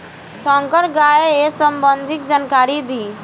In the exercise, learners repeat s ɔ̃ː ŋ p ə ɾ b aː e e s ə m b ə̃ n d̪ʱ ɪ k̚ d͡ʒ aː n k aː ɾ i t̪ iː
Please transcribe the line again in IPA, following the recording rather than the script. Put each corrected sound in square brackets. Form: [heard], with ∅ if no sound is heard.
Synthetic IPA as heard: s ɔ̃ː ŋ [k] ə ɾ [ɡ] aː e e s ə m b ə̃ n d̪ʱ ɪ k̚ d͡ʒ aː n k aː ɾ i [d̪] iː